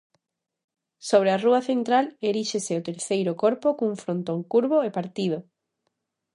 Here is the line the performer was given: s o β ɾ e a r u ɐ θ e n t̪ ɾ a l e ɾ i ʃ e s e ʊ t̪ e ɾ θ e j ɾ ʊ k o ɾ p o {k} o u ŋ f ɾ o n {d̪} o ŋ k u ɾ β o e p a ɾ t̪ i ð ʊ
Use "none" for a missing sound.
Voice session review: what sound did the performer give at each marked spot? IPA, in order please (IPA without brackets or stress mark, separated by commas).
k, t̪